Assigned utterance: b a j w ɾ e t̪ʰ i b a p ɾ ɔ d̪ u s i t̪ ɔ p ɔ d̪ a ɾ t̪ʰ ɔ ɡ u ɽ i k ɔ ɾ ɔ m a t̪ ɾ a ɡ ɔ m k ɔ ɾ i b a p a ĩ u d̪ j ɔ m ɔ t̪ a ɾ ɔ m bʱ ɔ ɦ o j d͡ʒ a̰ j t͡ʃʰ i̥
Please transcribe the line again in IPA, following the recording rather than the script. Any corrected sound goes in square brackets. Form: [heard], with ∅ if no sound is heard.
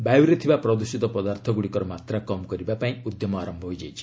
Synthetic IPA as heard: b a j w ɾ e t̪ʰ i b a p ɾ ɔ d̪ u s i t̪ ɔ p ɔ d̪ a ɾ t̪ʰ ɔ ɡ u ɽ i k ɔ ɾ ɔ m a t̪ ɾ a [k] ɔ m k ɔ ɾ i b a p a ĩ u d̪ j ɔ m ɔ [∅] a ɾ ɔ m bʱ ɔ ɦ o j d͡ʒ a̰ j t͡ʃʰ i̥

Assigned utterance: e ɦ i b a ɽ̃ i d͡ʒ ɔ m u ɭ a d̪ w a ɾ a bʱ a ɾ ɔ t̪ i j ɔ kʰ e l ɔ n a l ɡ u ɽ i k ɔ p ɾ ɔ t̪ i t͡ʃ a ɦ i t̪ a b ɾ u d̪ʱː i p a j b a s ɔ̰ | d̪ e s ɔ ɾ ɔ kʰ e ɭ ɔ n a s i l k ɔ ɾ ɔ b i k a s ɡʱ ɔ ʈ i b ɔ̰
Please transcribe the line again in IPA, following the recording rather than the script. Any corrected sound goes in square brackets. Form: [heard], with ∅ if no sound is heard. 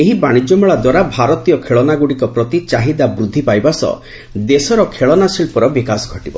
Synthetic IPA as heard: e ɦ i b a ɽ̃ i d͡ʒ ɔ m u ɭ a d̪ w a ɾ a bʱ a ɾ ɔ t̪ i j ɔ kʰ e [ɭ] ɔ n a [∅] ɡ u ɽ i k ɔ p ɾ ɔ t̪ i t͡ʃ a ɦ i [d̪] a b ɾ u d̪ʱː i p a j b a s ɔ̰ | d̪ e s ɔ ɾ ɔ kʰ e ɭ ɔ n a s i l [p] ɔ ɾ ɔ b i k a s ɡʱ ɔ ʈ i b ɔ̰

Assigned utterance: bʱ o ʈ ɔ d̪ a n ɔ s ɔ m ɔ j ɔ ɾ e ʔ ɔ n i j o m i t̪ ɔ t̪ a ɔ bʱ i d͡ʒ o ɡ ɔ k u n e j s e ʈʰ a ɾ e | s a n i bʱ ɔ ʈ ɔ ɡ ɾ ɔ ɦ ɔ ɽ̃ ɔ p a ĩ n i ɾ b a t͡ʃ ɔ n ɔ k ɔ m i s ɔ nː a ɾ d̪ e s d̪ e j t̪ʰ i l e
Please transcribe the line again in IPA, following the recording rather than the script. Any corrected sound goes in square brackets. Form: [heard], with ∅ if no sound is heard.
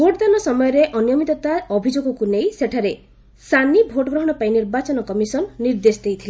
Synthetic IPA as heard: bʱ o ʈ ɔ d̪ a n ɔ s ɔ m ɔ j ɔ ɾ e ʔ ɔ n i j [ɔ] m i t̪ ɔ t̪ a ɔ bʱ i d͡ʒ o ɡ ɔ k u n e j s e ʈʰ a ɾ e | s a n i bʱ [o] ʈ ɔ ɡ ɾ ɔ ɦ ɔ ɽ̃ ɔ p a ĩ n i ɾ b a t͡ʃ ɔ n ɔ k ɔ m i s ɔ nː [i] ɾ d̪ e s d̪ e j t̪ʰ i l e

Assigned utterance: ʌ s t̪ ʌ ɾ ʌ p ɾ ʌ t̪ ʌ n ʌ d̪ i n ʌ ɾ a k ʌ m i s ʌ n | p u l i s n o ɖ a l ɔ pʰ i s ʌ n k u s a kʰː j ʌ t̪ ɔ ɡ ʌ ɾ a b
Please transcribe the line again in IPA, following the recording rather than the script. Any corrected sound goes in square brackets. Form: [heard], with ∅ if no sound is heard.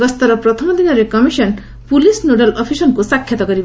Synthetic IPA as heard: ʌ s t̪ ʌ ɾ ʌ p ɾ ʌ [t̪ʰ] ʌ [m] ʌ d̪ i n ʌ ɾ [e] k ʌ m i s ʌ n | p u l i s n o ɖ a l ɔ pʰ i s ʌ n k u s a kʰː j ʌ t̪ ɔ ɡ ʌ ɾ [i] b

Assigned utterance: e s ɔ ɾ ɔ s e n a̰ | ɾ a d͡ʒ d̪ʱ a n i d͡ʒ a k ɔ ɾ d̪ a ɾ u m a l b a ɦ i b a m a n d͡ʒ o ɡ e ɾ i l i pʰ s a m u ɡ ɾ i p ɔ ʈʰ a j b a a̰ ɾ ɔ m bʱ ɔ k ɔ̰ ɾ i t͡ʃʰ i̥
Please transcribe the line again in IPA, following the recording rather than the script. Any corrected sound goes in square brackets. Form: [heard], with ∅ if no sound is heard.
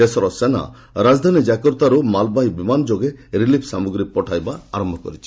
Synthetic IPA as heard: e s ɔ ɾ ɔ s e n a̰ | ɾ a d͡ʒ d̪ʱ a n i d͡ʒ a k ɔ ɾ [t̪] a ɾ u m a l b a ɦ i b [i] m a n d͡ʒ o ɡ e ɾ i l i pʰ s a m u ɡ ɾ i p ɔ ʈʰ a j b a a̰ ɾ ɔ m bʱ ɔ k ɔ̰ ɾ i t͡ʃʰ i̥

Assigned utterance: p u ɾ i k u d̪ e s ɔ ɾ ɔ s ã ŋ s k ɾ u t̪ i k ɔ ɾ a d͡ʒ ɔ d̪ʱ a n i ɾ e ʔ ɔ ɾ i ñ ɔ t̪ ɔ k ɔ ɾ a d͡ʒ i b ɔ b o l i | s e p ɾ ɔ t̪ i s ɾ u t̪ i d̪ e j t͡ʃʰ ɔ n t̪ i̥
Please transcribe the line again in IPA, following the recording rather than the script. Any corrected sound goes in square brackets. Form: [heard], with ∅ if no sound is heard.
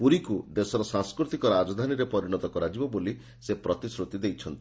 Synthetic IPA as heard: p u ɾ i k u d̪ e s ɔ ɾ ɔ s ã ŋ s k ɾ u t̪ i k ɔ ɾ a d͡ʒ ɔ d̪ʱ a n i ɾ e [p] ɔ ɾ i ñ ɔ t̪ ɔ k ɔ ɾ a d͡ʒ i b ɔ b o l i | s e p ɾ ɔ t̪ i s ɾ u t̪ i d̪ e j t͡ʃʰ ɔ n t̪ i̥

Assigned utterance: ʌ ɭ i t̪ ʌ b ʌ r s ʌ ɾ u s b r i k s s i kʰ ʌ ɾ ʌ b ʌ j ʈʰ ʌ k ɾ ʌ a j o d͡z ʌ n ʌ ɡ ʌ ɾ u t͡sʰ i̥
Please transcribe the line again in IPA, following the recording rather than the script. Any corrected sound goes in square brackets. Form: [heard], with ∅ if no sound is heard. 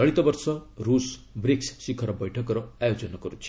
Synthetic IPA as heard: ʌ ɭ i t̪ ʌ b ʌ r s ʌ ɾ u s b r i k s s i kʰ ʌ ɾ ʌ b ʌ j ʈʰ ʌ k ɾ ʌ a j o d͡z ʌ n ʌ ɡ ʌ ɾ u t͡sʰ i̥

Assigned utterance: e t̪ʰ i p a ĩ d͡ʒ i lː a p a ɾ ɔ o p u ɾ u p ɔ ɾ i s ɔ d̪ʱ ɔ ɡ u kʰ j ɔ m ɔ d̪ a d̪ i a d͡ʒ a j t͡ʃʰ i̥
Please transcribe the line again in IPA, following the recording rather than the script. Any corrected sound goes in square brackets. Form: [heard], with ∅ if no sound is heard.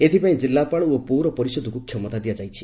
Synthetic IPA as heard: e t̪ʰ i p a ĩ d͡ʒ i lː a p a [ɭ] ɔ o p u ɾ [ɔ] p ɔ ɾ i s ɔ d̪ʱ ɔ [k] u kʰ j ɔ m ɔ [t̪] a d̪ i a d͡ʒ a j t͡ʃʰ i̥

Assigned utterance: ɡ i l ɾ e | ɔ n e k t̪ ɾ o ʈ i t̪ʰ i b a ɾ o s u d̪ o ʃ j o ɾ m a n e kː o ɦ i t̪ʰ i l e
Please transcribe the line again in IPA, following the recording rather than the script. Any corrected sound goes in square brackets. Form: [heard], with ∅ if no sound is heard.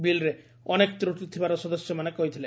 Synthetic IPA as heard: [b] i l ɾ e | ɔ n e k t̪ ɾ o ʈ i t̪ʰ i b a ɾ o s [ɔ] d̪ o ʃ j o [∅] m a n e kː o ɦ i t̪ʰ i l e

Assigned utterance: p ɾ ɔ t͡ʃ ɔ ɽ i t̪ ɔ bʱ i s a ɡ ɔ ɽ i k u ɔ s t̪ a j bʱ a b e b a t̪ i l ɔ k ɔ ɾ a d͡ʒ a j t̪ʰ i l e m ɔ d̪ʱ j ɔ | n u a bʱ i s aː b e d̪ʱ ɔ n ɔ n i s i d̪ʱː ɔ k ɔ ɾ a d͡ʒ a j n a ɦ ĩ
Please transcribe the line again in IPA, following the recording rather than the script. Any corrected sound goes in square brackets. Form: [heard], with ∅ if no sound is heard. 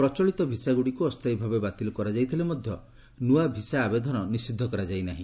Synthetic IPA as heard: p ɾ ɔ t͡ʃ ɔ [ɭ] i t̪ ɔ bʱ i s a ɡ [u] ɽ i k u ɔ s t̪ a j bʱ a b e b a t̪ i l ɔ k ɔ ɾ a d͡ʒ a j t̪ʰ i l e m ɔ d̪ʱ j ɔ | n u a bʱ i s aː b e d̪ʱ ɔ n ɔ n i s i d̪ʱː ɔ k ɔ ɾ a d͡ʒ a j n a ɦ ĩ

